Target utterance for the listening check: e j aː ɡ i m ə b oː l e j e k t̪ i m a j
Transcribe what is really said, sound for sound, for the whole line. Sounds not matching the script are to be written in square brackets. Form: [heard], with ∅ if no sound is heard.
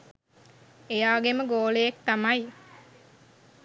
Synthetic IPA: e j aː ɡ [e] m ə [ɡ] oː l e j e k t̪ [a] m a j